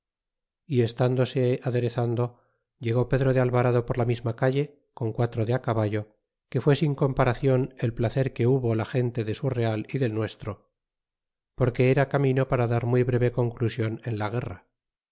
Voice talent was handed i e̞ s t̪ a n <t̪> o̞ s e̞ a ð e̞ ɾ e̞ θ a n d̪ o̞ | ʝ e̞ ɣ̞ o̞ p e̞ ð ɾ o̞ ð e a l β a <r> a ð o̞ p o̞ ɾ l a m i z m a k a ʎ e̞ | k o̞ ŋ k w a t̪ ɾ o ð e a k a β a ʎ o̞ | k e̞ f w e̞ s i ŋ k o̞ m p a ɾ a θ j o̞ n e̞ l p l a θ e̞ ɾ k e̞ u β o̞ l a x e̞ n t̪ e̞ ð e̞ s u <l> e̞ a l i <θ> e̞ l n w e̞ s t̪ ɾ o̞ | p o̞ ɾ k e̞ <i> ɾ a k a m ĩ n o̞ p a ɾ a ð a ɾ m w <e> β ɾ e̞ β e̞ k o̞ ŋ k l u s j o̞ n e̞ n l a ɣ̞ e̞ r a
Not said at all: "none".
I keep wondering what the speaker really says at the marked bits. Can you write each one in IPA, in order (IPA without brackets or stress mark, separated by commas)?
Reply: d̪, ɾ, r, ð, e, i